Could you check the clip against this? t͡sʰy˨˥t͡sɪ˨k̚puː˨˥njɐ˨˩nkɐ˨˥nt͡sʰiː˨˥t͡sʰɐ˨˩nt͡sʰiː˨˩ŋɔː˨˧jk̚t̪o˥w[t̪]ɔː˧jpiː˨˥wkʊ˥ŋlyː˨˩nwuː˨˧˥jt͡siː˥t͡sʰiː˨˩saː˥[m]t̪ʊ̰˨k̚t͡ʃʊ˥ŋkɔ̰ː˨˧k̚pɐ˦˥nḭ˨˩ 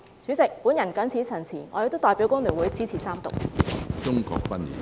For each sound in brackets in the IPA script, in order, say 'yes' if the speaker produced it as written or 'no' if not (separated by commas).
yes, yes